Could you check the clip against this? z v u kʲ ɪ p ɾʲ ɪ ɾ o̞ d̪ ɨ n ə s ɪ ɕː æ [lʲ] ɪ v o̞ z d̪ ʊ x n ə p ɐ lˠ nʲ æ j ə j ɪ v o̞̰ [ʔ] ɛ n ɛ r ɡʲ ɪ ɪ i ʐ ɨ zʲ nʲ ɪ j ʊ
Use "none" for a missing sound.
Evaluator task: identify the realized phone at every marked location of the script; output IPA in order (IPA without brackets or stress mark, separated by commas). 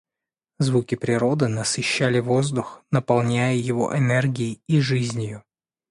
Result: lʲ, ʔ